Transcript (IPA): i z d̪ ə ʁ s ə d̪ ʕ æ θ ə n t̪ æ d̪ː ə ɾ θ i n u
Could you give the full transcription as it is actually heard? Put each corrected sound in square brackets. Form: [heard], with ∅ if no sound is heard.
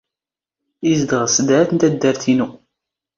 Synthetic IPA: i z d̪ ə ʁ s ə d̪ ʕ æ θ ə n t̪ æ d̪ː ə ɾ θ i n u